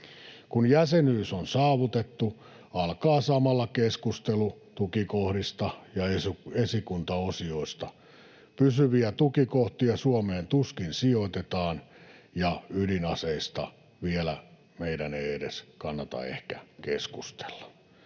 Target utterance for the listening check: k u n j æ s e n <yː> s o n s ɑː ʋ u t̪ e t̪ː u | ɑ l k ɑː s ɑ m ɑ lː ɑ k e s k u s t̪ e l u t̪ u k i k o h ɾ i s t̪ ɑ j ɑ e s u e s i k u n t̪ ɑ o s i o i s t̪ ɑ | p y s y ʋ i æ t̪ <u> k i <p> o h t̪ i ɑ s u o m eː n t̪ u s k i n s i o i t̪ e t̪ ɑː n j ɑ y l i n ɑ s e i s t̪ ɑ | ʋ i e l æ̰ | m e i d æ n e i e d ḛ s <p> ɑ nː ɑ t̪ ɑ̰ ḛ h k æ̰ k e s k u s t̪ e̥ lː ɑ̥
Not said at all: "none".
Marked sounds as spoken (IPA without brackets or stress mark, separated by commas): yː, u, k, k